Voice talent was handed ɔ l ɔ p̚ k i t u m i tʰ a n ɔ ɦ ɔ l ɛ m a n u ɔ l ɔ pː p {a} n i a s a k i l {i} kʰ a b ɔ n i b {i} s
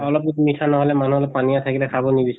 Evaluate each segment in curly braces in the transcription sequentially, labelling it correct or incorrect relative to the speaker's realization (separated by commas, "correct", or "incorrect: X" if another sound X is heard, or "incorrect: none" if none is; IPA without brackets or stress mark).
correct, incorrect: ɛ, correct